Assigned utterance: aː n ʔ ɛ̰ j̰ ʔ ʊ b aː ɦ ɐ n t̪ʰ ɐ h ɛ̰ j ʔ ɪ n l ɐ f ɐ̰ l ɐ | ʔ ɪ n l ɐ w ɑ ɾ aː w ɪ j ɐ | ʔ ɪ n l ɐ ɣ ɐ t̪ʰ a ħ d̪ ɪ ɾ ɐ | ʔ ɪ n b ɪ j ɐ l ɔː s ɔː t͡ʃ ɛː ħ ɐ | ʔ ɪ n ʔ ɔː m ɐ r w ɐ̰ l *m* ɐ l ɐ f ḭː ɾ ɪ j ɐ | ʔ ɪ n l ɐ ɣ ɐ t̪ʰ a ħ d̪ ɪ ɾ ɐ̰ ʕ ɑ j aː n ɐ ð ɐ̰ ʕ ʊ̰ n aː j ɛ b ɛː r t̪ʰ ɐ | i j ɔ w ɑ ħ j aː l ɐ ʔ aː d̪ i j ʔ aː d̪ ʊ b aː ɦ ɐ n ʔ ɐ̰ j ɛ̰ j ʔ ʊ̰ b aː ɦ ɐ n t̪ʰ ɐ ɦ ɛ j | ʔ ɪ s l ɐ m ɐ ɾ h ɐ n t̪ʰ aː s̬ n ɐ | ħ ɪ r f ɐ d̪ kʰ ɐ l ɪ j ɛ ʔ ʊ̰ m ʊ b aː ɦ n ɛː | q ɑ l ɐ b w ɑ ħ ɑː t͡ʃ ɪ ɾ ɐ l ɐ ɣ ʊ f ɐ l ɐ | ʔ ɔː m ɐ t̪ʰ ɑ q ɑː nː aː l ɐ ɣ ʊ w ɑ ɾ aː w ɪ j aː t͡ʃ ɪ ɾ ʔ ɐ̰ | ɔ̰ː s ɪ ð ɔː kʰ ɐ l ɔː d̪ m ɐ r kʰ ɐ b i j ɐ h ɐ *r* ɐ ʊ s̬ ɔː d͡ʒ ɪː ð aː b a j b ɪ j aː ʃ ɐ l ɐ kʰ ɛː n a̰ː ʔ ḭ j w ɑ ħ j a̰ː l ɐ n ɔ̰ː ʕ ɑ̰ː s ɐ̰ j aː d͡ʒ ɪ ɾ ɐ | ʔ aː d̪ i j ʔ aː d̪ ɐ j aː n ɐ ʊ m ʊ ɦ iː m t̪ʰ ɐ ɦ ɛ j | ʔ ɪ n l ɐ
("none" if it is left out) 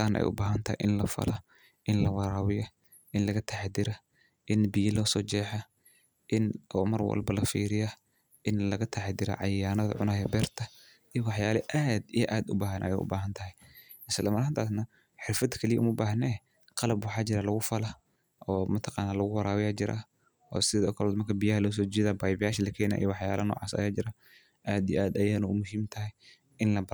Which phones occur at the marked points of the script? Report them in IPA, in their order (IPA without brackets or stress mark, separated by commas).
b, l